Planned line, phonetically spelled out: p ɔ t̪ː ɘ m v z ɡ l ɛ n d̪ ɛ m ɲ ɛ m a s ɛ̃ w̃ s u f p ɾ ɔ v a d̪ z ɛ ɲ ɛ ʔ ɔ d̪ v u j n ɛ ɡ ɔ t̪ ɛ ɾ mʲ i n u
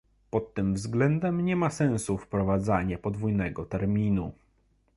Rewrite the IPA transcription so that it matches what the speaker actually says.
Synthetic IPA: p ɔ t̪ː ɘ m v z ɡ l ɛ n d̪ ɛ m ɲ ɛ m a s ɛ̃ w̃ s u f p ɾ ɔ v a d̪ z a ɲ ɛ p ɔ d̪ v u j n ɛ ɡ ɔ t̪ ɛ ɾ mʲ i n u

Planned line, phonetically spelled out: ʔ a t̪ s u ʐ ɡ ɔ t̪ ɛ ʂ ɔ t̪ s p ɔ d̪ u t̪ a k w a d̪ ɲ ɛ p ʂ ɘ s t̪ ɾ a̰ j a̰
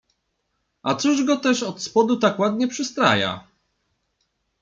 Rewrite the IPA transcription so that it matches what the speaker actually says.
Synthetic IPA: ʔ a t̪ s u ʐ ɡ ɔ t̪ ɛ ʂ ɔ t̪ s p ɔ d̪ u t̪ a k w a d̪ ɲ ɛ p ʂ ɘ s t̪ ɾ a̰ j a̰

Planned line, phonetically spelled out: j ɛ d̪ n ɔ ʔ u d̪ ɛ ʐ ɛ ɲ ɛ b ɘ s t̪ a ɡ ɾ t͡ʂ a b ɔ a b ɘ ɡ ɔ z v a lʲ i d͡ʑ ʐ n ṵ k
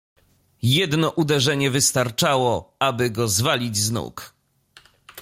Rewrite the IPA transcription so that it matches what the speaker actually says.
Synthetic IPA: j ɛ d̪ n ɔ ʔ u d̪ ɛ ʐ ɛ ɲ ɛ v ɘ s t̪ a ɾ t͡ʂ a w ɔ a b ɘ ɡ ɔ z v a lʲ i d͡ʑ z n ṵ k

